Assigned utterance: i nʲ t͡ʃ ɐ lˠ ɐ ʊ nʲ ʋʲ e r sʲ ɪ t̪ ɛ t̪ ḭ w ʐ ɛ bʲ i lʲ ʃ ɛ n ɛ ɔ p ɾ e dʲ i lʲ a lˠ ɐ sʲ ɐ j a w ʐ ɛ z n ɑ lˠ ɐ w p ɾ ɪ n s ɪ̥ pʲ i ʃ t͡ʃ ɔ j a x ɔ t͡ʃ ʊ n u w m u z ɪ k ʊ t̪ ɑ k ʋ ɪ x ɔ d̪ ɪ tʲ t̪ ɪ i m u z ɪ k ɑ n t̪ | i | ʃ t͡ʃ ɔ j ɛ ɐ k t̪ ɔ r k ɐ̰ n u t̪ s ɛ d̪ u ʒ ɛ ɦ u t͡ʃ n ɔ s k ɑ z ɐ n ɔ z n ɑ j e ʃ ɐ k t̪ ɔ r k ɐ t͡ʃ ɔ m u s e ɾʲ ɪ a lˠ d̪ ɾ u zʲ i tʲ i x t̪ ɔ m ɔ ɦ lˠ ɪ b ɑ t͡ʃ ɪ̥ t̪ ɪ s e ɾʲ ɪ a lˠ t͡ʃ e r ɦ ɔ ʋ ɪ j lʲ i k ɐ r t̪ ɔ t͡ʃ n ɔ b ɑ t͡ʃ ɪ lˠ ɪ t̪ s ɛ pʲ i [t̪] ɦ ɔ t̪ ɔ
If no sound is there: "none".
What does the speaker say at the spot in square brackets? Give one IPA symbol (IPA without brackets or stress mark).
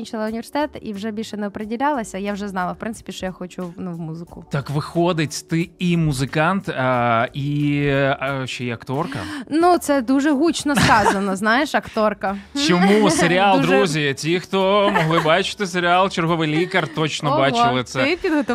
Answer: d̪